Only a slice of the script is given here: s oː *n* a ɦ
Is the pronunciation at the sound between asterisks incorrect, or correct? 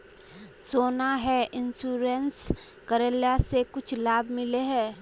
correct